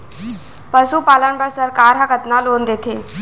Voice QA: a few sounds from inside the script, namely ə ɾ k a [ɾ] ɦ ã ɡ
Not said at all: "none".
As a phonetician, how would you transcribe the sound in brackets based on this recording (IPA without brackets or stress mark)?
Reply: ɾ